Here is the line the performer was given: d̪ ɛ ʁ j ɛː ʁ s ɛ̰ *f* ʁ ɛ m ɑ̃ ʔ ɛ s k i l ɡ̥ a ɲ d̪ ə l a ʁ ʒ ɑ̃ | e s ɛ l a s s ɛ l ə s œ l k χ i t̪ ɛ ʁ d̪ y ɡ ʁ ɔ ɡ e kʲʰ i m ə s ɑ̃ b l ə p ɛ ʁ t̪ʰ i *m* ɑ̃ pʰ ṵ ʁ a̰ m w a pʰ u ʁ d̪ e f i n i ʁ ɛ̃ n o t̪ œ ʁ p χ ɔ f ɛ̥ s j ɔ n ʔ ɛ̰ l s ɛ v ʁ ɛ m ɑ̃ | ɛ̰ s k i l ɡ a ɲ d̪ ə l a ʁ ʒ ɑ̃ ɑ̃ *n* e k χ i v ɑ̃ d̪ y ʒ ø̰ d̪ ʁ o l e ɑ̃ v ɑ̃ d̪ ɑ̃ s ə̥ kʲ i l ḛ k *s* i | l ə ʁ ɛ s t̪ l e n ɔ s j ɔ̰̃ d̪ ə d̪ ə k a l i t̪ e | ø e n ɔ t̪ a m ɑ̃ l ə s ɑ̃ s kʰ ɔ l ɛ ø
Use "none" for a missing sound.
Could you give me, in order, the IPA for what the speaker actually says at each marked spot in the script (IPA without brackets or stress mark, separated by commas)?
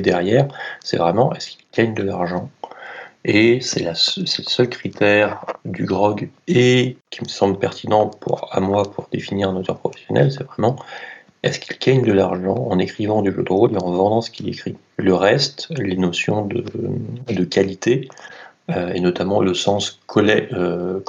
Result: v, n, n, χ